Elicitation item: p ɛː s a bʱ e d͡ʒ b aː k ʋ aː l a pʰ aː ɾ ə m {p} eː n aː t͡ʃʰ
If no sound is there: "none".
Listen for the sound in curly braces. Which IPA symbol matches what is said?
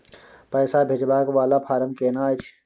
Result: k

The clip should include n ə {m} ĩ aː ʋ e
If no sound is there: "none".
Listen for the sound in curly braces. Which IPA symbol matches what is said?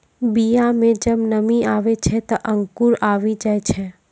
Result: m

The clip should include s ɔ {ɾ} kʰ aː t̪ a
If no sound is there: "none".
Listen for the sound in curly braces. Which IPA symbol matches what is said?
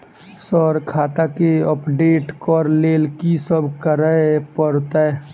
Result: ɾ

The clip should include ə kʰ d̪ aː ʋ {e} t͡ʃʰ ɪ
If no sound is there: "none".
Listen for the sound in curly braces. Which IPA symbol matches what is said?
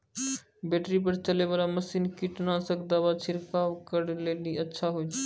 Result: a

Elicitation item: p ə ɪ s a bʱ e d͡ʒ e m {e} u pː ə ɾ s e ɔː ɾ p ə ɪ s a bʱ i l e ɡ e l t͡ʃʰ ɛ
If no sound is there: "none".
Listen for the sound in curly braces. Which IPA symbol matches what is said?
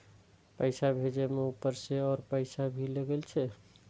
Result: e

